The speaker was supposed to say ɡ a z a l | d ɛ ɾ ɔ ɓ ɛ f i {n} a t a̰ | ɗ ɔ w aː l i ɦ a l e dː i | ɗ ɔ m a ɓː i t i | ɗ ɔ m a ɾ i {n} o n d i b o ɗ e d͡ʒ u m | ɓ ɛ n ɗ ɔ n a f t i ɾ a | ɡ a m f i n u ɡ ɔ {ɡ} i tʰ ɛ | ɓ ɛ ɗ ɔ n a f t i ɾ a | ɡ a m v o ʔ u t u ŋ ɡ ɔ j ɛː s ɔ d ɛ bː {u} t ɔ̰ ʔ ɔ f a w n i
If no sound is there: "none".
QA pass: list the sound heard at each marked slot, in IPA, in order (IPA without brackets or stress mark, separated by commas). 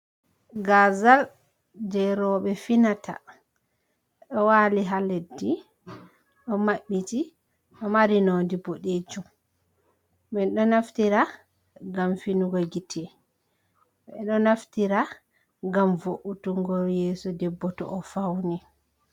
n, n, ɡ, ɔ